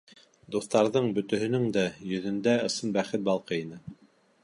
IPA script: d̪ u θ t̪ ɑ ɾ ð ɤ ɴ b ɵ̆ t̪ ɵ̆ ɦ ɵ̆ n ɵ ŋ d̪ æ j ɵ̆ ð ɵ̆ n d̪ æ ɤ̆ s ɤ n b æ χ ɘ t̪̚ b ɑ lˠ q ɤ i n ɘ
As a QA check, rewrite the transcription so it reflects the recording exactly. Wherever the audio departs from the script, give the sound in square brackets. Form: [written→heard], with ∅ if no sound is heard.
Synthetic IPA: d̪ u θ t̪ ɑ ɾ ð ɤ ɴ b ɵ̆ t̪ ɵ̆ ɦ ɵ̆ n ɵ ŋ d̪ æ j ɵ̆ ð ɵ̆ n d̪ æ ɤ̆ s ɤ n b æ χ ɘ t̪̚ b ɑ lˠ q ɤ i n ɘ